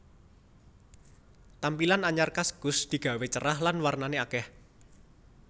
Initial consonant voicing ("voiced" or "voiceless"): voiceless